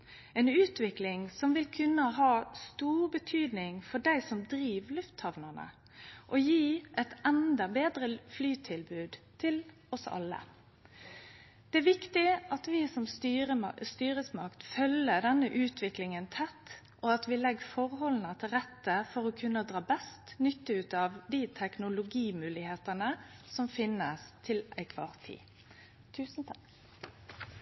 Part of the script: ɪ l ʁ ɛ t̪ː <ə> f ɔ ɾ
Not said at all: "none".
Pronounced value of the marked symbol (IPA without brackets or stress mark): ə